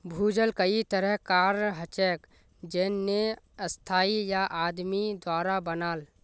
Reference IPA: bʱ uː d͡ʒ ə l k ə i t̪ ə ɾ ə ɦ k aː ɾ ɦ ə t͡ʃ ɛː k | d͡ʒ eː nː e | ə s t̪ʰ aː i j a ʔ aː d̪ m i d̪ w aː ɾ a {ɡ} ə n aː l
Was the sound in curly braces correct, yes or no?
no